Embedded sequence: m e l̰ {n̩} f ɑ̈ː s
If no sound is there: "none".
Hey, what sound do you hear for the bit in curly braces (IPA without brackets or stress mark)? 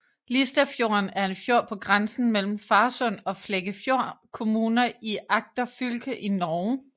m̩